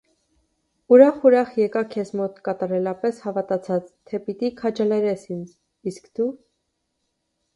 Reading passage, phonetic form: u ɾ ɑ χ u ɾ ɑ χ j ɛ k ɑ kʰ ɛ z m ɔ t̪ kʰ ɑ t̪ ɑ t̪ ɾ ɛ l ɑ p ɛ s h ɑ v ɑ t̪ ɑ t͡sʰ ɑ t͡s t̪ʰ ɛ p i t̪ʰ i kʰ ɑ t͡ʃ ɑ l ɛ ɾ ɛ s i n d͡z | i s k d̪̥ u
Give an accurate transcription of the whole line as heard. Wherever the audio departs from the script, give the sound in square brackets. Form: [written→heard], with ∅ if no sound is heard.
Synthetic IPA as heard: u ɾ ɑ χ u ɾ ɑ χ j ɛ k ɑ kʰ ɛ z m ɔ t̪ [kʰ→k] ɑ t̪ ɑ [t̪→∅] ɾ ɛ l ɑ p ɛ s h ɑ v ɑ t̪ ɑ t͡sʰ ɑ t͡s t̪ʰ ɛ p i [t̪ʰ→t̪] i kʰ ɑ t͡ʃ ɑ l ɛ ɾ ɛ s i n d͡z | i s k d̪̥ u